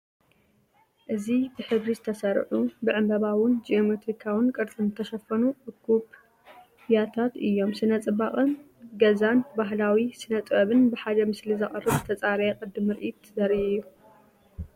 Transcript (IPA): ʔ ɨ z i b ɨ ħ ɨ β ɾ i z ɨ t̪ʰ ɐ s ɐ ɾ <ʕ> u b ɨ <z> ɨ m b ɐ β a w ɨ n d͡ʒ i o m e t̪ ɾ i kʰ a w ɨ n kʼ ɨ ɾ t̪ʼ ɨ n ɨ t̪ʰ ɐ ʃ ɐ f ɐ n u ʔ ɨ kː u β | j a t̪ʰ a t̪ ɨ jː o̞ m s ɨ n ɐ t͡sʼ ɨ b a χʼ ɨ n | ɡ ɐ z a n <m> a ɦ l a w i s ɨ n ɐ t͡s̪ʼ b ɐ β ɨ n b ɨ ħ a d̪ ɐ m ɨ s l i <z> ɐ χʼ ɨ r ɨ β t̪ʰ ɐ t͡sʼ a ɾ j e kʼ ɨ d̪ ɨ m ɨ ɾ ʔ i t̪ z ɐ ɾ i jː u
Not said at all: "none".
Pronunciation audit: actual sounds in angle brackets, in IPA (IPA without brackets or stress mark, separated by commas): ʕ, ʕ, b, z